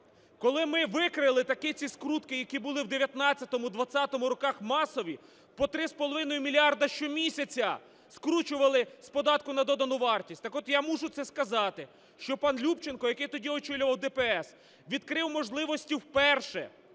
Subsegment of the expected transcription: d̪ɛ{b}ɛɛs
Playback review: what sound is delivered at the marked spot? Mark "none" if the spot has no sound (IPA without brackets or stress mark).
p